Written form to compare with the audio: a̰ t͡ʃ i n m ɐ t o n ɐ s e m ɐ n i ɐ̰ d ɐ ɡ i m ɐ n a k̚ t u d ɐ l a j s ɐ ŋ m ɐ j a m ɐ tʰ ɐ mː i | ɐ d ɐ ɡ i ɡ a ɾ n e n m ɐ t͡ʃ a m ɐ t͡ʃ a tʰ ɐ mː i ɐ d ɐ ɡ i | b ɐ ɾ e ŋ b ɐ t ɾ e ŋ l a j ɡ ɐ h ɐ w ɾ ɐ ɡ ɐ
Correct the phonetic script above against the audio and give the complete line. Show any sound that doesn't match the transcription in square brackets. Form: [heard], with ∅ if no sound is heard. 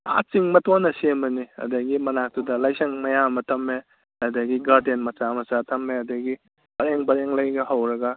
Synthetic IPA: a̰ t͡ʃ i [ŋ] m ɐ t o n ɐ s e m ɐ n i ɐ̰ d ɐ ɡ i m ɐ n a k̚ t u d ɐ l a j s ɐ ŋ m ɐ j a m ɐ tʰ ɐ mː [e] | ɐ d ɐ ɡ i ɡ a ɾ [d] e n m ɐ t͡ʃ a m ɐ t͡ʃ a tʰ ɐ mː [e] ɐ d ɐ ɡ i | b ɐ ɾ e ŋ b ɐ [∅] ɾ e ŋ l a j ɡ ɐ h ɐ w ɾ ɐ ɡ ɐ